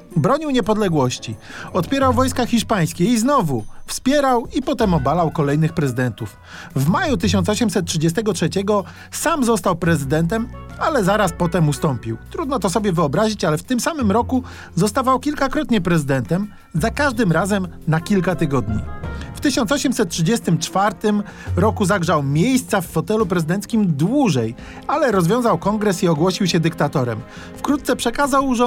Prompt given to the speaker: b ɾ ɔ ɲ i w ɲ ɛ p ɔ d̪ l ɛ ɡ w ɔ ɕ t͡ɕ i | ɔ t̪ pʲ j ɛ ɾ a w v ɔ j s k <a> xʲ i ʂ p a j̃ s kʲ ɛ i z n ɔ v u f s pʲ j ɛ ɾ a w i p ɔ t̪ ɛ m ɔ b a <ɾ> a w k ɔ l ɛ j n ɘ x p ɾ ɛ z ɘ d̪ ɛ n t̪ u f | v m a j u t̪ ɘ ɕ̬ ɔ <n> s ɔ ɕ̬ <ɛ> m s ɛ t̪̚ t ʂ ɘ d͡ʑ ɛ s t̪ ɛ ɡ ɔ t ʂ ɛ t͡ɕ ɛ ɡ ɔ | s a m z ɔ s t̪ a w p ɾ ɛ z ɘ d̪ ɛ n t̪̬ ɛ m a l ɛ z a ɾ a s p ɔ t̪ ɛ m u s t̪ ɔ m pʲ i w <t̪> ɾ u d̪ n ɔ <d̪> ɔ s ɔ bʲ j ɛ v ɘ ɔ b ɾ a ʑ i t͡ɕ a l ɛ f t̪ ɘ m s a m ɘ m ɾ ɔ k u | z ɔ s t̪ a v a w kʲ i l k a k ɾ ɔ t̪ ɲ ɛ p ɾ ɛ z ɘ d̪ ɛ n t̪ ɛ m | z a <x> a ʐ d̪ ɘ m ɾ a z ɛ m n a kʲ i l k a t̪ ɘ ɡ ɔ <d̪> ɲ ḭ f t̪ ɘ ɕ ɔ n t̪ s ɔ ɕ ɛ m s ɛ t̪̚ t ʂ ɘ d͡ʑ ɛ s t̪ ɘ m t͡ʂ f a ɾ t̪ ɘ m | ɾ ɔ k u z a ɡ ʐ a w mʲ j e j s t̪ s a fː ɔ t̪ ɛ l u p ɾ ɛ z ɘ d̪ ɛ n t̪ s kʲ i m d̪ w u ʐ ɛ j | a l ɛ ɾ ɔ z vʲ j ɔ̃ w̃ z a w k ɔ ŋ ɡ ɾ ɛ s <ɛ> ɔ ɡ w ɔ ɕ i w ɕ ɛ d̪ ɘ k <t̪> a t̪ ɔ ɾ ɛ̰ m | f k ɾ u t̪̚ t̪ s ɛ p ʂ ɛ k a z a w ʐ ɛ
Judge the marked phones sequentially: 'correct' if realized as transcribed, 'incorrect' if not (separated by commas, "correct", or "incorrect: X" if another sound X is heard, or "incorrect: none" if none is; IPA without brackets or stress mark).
correct, incorrect: l, correct, correct, correct, incorrect: t̪, incorrect: k, correct, incorrect: i, correct